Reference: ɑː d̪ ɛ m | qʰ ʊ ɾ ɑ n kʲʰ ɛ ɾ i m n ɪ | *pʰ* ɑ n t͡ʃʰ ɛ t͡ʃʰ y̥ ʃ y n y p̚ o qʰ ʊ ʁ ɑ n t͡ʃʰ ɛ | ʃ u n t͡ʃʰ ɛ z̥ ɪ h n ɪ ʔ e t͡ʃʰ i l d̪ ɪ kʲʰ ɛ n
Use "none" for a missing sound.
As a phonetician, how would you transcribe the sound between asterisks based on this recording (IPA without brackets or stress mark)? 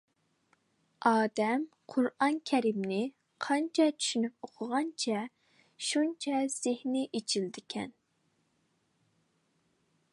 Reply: qʰ